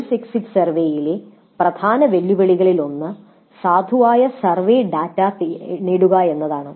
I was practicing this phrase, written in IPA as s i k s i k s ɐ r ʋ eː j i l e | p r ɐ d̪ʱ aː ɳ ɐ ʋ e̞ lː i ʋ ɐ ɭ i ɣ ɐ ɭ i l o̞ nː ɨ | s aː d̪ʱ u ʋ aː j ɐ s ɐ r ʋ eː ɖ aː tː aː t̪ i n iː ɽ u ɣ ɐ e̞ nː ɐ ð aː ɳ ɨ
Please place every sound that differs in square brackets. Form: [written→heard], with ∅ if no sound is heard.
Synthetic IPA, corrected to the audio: s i k s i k s ɐ r ʋ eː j i l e | p r ɐ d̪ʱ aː [ɳ→n] ɐ ʋ e̞ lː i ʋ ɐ ɭ i ɣ ɐ ɭ i l o̞ nː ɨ | s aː d̪ʱ u ʋ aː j ɐ s ɐ r ʋ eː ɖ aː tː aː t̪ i n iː ɽ u ɣ ɐ e̞ nː ɐ ð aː ɳ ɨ